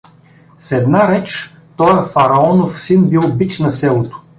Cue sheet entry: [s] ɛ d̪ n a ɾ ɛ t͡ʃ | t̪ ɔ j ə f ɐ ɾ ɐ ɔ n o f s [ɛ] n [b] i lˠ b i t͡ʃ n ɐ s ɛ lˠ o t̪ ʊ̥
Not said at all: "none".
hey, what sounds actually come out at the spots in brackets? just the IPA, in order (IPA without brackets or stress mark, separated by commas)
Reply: s, i, b